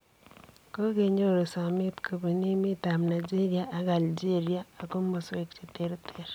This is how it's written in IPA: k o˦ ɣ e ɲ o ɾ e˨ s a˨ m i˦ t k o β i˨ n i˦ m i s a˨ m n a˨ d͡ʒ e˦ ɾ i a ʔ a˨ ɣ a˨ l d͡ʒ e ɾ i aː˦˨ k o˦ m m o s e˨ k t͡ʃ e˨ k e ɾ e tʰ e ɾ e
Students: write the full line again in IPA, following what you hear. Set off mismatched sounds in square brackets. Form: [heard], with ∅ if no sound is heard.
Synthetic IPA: k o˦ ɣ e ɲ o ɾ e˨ s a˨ m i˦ t k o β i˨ n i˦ m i [t] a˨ m n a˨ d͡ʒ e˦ ɾ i a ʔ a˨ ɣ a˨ l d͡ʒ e ɾ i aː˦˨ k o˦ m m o s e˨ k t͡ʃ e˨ [t] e ɾ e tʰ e ɾ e